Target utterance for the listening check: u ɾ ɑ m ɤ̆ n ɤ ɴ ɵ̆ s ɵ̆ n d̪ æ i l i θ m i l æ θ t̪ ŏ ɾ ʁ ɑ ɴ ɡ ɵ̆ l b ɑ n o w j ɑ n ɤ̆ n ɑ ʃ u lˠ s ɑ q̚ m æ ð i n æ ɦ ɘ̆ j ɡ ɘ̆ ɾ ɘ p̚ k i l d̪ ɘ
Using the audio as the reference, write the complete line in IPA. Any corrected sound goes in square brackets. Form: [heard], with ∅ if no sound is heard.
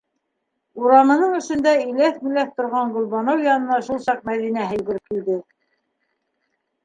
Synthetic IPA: u ɾ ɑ m ɤ̆ n ɤ ɴ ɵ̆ [ʃ] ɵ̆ n d̪ æ i l [æ] θ m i l æ θ t̪ ŏ ɾ ʁ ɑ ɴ ɡ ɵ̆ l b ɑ n o w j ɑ n ɤ̆ n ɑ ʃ u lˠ s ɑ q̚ m æ ð i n æ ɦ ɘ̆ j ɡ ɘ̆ ɾ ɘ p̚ k i l d̪ ɘ